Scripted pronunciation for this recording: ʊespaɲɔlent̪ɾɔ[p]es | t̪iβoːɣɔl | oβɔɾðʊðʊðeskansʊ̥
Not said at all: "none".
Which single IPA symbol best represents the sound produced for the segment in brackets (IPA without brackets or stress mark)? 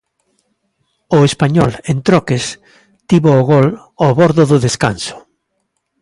k